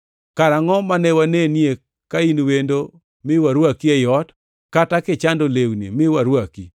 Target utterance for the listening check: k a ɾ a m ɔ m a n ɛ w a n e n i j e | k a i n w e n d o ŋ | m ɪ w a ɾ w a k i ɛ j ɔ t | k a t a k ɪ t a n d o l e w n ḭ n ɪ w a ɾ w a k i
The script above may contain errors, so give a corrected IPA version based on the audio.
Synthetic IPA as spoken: k a ɾ a ŋ ɔ m a n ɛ w a n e n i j e | k a i n w e n d o | m ɪ w a ɾ w a k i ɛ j ɔ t | k a t a k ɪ t͡ʃ a n d o l e w n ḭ m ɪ w a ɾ w a k i